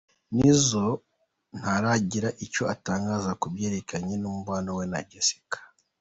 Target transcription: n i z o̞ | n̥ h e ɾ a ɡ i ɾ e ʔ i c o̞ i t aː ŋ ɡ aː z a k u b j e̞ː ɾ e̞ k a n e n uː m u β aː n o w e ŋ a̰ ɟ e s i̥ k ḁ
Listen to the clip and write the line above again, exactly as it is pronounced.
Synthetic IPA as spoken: n i z o̞ | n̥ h a ɾ a ɟ i ɾ a ʔ i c o̞ a t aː ŋ ɡ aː z a k u b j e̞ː ɾ e̞ k a ɲ e n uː m u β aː n o w e n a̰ ɟ e s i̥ k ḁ